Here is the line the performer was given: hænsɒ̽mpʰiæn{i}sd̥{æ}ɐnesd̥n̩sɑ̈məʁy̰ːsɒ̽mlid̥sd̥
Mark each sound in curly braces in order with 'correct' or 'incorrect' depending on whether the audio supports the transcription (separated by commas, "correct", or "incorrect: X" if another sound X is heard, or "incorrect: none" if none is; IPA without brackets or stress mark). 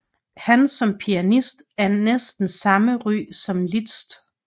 correct, correct